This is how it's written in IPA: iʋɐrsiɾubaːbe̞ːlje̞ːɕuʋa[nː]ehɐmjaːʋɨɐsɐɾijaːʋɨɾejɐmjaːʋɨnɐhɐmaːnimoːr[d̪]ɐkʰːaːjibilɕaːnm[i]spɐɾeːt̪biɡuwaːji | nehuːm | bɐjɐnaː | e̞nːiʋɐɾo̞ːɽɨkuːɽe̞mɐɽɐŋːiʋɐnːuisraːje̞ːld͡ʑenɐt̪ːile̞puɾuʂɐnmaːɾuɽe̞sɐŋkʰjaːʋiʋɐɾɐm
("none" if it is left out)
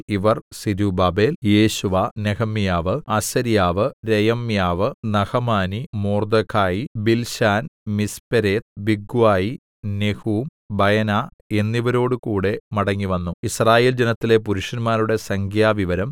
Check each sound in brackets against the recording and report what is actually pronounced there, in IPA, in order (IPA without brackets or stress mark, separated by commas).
n, d̪, i